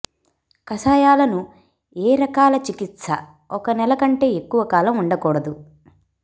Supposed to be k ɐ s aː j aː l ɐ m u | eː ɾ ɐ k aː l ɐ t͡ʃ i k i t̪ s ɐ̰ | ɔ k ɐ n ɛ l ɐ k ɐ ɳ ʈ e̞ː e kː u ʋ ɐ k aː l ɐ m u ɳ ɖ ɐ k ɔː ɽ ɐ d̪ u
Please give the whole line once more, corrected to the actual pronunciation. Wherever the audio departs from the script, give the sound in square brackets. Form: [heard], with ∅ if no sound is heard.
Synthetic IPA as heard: k ɐ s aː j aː l ɐ [n] u | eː ɾ ɐ k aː l ɐ t͡ʃ i k i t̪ s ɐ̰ | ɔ k ɐ n ɛ l ɐ k ɐ ɳ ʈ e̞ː e kː u ʋ ɐ k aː l ɐ m u ɳ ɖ ɐ k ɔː ɽ ɐ d̪ u